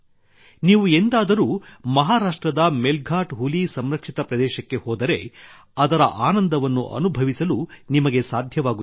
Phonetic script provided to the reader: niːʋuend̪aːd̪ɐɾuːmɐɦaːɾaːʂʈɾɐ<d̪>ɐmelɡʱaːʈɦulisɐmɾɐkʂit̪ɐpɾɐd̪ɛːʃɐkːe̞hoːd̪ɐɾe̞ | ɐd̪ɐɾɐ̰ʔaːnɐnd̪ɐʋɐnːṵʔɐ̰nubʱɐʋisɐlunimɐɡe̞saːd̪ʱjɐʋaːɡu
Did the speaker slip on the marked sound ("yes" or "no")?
no